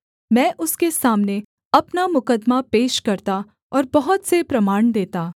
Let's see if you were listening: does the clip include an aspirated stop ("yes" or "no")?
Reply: no